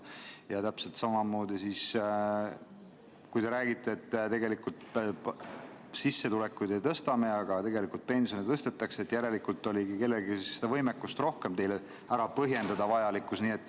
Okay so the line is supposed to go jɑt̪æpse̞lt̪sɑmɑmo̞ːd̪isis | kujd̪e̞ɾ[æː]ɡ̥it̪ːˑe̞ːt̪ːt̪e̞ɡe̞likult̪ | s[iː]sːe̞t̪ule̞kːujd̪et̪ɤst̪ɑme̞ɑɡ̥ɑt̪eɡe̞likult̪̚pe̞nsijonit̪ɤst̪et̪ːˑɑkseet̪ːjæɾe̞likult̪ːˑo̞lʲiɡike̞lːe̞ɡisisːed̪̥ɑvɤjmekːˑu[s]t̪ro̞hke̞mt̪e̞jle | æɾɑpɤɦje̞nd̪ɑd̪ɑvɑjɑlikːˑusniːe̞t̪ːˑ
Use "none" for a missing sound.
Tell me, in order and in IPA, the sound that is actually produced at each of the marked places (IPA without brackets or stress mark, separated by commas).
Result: æː, i, s